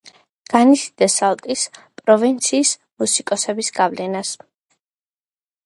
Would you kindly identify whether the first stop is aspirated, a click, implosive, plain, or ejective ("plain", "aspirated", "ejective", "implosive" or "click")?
plain